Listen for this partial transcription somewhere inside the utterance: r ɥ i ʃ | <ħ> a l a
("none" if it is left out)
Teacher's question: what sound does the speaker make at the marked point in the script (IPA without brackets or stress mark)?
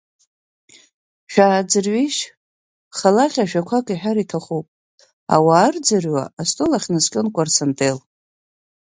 χ